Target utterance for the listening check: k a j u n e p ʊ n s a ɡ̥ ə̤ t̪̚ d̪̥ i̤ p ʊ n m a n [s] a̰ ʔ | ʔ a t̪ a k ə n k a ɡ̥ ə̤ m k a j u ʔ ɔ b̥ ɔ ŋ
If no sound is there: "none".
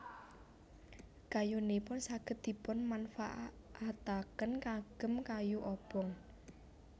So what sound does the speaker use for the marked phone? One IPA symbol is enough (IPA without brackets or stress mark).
f